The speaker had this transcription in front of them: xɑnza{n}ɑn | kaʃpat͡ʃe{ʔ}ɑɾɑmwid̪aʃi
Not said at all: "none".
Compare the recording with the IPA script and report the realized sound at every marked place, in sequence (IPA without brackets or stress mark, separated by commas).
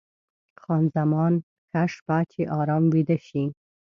m, ʔ